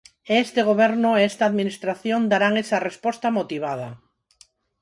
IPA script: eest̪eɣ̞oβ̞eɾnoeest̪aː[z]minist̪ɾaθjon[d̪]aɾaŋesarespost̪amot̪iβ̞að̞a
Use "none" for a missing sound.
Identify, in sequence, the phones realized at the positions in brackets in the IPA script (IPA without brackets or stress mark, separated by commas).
ð, d̪